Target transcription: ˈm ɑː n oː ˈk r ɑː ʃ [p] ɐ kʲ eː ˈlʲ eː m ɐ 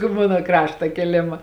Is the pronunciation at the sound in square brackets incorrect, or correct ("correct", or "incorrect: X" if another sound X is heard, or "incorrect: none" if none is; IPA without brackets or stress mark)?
incorrect: t